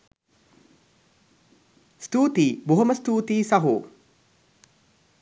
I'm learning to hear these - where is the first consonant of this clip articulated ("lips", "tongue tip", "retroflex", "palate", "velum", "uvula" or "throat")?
tongue tip